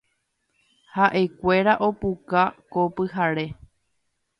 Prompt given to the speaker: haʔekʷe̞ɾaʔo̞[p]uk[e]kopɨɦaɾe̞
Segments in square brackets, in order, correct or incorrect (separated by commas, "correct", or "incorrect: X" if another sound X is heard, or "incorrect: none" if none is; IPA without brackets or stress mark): correct, incorrect: a